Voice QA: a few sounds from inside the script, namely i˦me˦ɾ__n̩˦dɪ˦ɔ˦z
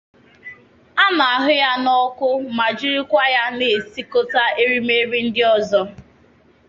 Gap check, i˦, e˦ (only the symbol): i˦